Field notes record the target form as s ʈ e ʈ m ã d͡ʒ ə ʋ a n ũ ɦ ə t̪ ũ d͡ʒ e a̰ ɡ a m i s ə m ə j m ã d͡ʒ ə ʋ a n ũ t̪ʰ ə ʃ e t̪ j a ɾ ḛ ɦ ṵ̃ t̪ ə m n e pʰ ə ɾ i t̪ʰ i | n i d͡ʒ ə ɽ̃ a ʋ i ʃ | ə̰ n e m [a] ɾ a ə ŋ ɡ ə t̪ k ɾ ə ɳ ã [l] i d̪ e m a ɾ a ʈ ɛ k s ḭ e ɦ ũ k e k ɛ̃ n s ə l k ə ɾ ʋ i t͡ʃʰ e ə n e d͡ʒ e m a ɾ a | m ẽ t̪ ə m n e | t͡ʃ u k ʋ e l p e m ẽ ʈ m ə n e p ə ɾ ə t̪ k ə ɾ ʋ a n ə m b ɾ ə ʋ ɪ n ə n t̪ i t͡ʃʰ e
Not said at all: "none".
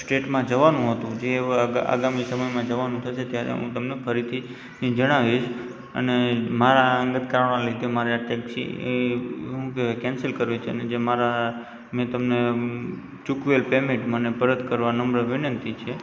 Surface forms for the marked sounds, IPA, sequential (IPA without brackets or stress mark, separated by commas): a, l